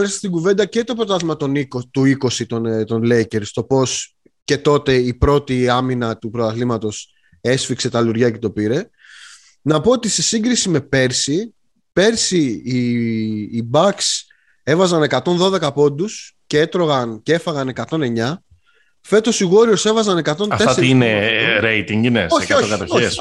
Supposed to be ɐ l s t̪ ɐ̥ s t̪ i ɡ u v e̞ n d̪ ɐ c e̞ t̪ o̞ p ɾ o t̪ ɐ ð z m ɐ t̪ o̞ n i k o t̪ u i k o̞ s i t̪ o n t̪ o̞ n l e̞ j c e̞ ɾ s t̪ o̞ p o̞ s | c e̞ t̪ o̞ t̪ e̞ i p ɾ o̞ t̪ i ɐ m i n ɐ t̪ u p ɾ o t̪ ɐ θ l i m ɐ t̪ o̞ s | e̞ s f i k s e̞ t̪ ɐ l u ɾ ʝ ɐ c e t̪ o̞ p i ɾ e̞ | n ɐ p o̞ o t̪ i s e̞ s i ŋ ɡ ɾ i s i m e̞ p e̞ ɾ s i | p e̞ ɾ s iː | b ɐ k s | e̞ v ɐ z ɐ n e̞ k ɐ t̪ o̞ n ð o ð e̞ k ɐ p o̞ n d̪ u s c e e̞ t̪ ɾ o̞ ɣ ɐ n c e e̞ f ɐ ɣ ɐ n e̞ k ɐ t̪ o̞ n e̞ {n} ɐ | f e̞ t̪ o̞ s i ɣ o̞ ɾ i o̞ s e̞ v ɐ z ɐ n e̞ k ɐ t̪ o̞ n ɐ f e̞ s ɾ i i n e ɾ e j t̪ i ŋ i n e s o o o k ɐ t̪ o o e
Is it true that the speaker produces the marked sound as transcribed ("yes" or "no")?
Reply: no